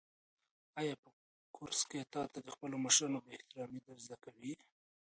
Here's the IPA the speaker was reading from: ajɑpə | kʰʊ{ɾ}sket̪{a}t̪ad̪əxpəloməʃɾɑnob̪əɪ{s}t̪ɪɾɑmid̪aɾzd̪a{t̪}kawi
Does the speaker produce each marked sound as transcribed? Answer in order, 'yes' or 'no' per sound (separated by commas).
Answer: yes, no, no, no